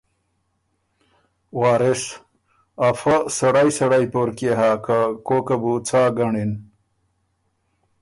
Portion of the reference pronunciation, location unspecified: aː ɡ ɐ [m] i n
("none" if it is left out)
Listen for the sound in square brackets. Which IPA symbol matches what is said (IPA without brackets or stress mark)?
ɳ